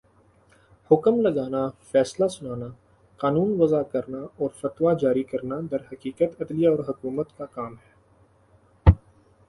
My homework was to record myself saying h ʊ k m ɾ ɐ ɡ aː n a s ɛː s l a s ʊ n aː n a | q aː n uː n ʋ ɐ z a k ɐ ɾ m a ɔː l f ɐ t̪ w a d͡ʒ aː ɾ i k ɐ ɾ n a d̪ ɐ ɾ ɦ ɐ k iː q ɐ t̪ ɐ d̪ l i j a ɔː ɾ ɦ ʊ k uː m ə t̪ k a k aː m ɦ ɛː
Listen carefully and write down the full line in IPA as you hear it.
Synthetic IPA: h ʊ k m l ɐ ɡ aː n a f ɛː s l a s ʊ n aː n a | q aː n uː n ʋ ɐ z a k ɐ ɾ n a ɔː ɾ f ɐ t̪ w a d͡ʒ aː ɾ i k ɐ ɾ n a d̪ ɐ ɾ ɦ ɐ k iː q ə t̪ ɐ d̪ l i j a ɔː ɾ ɦ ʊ k uː m ə t̪ k a k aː m ɦ ɛː